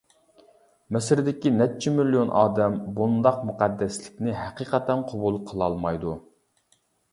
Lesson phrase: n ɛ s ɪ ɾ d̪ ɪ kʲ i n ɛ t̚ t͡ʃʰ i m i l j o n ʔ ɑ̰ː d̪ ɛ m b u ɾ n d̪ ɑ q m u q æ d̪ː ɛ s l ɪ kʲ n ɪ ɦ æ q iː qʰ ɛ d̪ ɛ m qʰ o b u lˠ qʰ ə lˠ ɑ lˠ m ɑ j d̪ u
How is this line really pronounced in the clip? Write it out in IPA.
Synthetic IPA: m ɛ s ɪ ɾ d̪ ɪ kʲ i n ɛ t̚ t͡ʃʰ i m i l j o n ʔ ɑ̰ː d̪ ɛ m b u n d̪ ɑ q m u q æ d̪ː ɛ s l ɪ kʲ n ɪ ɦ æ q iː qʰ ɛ t̪ ɛ n qʰ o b u lˠ qʰ ə lˠ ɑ lˠ m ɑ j d̪ u